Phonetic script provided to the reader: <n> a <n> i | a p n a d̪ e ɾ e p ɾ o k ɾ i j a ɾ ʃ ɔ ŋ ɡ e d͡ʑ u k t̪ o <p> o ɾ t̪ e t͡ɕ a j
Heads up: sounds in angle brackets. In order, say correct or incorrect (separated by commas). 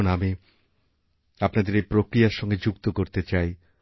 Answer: correct, incorrect, incorrect